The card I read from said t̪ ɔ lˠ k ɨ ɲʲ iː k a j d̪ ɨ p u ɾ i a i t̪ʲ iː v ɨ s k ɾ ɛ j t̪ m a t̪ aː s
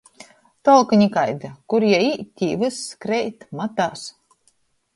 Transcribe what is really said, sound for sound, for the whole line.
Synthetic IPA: t̪ ɔ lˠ k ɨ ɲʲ i k a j d̪ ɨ k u ɾ j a i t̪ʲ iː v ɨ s k ɾ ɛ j t̪ m a t̪ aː s

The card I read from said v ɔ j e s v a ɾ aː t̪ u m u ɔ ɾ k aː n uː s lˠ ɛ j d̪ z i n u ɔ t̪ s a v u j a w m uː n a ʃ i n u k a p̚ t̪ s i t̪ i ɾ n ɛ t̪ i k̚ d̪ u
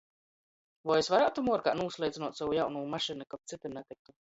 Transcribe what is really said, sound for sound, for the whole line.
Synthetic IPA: v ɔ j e s v a ɾ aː t̪ u m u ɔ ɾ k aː n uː s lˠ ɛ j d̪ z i n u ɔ t̪ s a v u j a w n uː m a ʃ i n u k a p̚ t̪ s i t̪ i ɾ n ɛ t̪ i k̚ t̪ u

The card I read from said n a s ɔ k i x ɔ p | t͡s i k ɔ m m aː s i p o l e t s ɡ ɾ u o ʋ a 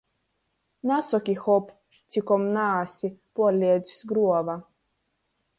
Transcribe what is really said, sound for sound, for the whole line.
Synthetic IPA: n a s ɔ k i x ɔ p | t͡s i k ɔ m n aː s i p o l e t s ɡ ɾ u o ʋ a

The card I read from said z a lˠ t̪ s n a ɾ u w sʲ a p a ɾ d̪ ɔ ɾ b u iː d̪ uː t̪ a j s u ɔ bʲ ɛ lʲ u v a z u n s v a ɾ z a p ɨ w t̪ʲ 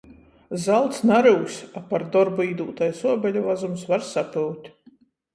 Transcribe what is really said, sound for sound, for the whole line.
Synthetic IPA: z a lˠ t̪ s n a ɾ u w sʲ a p a ɾ d̪ ɔ ɾ b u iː d̪ uː t̪ a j s u ɔ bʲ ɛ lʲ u v a z u m s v a ɾ s a p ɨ w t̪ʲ

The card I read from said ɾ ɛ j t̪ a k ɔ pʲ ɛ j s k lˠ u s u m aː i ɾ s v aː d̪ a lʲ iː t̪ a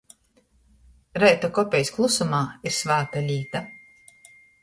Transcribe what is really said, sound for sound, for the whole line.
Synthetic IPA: ɾ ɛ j t̪ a k ɔ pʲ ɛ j s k lˠ u s u m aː i ɾ s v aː t̪ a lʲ iː t̪ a

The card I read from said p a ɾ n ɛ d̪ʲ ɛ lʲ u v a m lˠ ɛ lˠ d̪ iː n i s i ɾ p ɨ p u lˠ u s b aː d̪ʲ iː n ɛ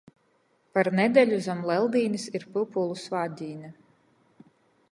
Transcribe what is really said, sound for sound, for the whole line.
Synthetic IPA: p a ɾ n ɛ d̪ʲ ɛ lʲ u z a m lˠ ɛ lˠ d̪ iː n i s i ɾ p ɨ p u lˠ u s v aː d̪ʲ iː n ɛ

